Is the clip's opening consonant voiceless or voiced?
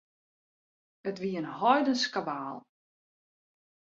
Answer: voiceless